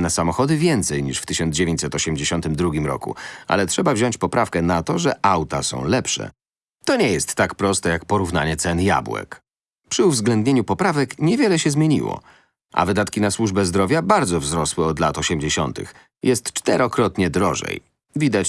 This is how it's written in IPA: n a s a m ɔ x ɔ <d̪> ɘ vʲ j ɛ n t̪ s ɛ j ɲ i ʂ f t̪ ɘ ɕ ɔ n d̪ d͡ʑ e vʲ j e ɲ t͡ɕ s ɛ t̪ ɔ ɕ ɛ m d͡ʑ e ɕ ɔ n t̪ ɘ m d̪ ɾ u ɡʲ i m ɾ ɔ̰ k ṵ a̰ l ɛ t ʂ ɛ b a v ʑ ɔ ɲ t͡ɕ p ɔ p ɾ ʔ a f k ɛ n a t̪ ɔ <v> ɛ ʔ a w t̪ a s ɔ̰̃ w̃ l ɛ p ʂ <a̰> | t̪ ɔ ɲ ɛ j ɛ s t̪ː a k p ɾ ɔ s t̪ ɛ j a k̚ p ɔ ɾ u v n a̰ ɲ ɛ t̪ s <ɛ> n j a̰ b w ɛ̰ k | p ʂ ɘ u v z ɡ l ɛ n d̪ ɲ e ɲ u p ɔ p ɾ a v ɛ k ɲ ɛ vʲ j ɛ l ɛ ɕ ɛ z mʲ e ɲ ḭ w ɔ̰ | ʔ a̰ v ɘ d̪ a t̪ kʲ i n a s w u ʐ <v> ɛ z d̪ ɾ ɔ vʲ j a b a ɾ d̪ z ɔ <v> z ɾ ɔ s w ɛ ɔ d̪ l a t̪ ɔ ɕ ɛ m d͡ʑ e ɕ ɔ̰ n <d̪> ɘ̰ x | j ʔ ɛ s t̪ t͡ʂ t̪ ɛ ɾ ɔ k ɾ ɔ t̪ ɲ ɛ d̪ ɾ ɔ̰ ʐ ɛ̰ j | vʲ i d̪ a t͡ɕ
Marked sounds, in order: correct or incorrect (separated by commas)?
correct, incorrect, incorrect, correct, incorrect, correct, incorrect